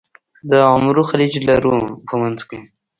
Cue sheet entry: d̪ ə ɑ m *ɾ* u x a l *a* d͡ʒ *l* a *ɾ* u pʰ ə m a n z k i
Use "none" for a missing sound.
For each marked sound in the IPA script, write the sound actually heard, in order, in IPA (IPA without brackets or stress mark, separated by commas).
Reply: ɾ, i, l, ɾ